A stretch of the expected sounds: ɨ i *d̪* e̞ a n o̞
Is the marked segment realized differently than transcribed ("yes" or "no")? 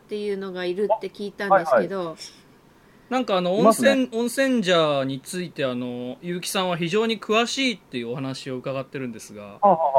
yes